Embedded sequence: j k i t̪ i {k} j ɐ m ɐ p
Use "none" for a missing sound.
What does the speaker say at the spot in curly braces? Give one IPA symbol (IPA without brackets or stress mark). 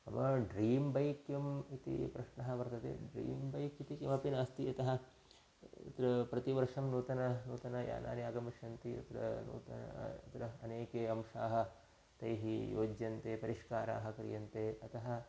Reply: k